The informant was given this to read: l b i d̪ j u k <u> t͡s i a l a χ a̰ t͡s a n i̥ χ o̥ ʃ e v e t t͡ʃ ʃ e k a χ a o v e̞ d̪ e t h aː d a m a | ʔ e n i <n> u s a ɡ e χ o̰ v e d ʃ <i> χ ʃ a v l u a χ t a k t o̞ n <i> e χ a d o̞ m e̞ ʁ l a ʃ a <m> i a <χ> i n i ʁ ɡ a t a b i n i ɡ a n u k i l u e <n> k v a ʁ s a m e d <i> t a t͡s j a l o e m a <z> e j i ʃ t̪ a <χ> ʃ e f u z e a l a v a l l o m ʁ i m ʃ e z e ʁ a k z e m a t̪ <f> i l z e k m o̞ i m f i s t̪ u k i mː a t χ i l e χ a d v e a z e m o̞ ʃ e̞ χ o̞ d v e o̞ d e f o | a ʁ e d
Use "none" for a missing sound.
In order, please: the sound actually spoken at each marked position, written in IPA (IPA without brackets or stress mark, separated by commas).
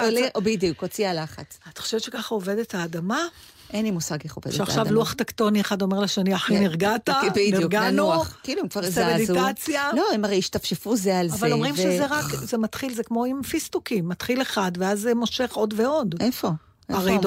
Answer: o, m, a, i, n, ħ, m, i, ʁ, f, χ